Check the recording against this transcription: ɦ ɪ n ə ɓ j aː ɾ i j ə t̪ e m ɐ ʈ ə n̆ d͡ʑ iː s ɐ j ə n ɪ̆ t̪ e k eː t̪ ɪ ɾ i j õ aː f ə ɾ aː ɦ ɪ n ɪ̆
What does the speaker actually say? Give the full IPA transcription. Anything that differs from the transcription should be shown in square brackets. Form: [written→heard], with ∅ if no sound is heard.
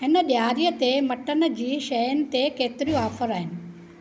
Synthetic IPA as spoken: ɦ ɪ n ə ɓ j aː ɾ i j ə t̪ e m ɐ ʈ ə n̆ d͡ʑ iː [s→ʃ] ɐ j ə n ɪ̆ t̪ e k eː t̪ ɪ ɾ i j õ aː f ə ɾ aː ɦ ɪ n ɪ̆